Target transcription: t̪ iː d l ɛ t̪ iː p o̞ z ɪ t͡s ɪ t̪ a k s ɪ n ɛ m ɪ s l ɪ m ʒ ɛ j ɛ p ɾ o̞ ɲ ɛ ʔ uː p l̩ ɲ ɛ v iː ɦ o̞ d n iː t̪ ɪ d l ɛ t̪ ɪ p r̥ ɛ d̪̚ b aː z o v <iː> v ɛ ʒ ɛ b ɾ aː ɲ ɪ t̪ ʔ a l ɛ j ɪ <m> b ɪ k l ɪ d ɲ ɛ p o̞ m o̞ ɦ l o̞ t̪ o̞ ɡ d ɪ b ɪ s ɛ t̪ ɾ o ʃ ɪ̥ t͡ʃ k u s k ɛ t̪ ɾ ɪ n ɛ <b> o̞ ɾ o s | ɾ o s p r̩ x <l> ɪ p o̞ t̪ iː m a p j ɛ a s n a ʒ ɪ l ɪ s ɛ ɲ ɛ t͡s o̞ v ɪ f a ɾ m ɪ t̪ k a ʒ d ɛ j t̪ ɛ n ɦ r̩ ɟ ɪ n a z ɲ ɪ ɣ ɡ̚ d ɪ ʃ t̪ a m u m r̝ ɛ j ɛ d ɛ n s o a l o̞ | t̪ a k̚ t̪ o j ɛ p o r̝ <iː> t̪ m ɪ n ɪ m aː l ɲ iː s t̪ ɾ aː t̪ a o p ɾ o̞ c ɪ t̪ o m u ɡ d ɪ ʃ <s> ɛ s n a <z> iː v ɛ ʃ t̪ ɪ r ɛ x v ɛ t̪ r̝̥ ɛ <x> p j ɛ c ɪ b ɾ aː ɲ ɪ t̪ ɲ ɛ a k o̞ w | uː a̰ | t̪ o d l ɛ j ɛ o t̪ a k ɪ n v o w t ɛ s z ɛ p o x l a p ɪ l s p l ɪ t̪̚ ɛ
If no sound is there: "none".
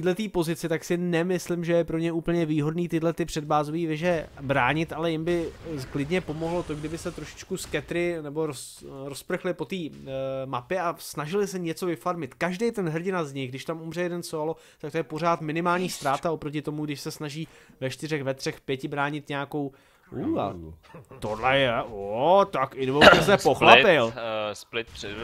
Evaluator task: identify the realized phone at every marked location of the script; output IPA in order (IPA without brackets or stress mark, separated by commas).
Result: iː, m, b, l, aː, s, ʒ, x